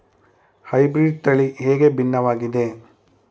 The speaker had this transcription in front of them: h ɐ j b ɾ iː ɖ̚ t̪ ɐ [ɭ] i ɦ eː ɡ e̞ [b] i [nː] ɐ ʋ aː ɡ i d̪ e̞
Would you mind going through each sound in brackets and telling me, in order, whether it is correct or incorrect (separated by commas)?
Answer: correct, correct, correct